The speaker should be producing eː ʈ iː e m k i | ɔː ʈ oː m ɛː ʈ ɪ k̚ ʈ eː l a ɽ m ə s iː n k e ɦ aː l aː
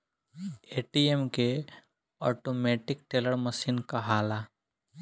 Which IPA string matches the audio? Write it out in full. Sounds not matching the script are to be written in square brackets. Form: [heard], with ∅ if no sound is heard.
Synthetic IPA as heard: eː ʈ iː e m k [e] | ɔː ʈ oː m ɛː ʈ ɪ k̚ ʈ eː l [ə] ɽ m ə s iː n k [a] ɦ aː l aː

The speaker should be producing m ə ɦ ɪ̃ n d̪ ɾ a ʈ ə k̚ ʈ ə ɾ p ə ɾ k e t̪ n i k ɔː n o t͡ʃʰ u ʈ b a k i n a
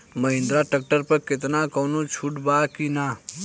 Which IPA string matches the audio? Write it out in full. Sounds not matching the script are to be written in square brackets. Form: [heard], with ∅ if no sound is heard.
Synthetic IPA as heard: m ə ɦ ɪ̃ n d̪ ɾ a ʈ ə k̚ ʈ ə ɾ p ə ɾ k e t̪ n [a] k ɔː n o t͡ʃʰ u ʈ b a k i n a

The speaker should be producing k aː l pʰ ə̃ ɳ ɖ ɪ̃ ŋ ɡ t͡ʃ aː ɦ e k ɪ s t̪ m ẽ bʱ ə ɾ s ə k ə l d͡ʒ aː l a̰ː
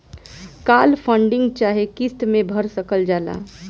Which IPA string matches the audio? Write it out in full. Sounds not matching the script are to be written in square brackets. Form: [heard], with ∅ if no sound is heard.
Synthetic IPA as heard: k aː l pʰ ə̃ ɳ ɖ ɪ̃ ŋ ɡ t͡ʃ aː ɦ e k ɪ s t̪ m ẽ bʱ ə ɾ s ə k ə l d͡ʒ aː l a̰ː

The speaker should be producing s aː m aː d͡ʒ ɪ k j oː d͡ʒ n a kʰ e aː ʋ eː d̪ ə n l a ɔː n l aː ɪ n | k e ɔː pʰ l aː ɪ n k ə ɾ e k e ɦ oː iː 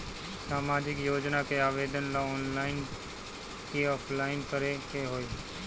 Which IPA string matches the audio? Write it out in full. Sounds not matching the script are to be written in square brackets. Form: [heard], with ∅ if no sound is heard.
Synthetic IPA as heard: s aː m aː d͡ʒ ɪ k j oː d͡ʒ n a [k] e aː ʋ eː d̪ ə n l a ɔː n l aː ɪ n | k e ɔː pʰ l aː ɪ n k ə ɾ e k e ɦ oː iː

